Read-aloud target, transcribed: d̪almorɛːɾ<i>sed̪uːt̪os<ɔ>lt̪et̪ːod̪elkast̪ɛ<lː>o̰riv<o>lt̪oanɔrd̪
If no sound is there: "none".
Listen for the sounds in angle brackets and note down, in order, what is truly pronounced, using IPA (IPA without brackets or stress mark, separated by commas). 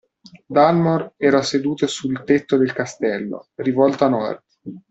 a, u, lː, ɔ